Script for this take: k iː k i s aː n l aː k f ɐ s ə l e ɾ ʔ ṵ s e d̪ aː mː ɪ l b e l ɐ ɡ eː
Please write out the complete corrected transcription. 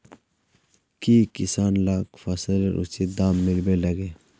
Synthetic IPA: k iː k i s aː n l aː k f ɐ s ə l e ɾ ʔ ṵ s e d̪ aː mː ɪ l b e l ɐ ɡ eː